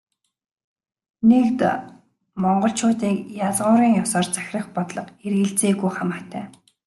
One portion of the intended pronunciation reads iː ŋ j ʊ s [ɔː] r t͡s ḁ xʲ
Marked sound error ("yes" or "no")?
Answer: no